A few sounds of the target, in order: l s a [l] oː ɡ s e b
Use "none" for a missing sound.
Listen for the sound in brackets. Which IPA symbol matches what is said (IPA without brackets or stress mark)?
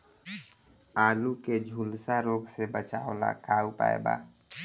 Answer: ɾ